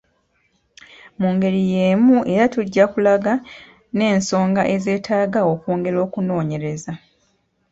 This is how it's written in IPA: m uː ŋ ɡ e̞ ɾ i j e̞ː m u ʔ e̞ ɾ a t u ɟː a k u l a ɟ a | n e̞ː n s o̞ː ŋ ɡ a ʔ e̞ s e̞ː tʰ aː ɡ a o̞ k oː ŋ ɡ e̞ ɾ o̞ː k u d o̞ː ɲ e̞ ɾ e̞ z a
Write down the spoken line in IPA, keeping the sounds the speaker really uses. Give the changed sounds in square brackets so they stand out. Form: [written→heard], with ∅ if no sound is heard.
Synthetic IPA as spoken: m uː ŋ ɡ e̞ ɾ i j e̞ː m u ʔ e̞ ɾ a t u ɟː a k u l a [ɟ→ɡ] a | n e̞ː n s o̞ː ŋ ɡ a ʔ e̞ [s→z] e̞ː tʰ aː ɡ a o̞ k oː ŋ ɡ e̞ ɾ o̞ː k u [d→n] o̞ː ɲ e̞ ɾ e̞ z a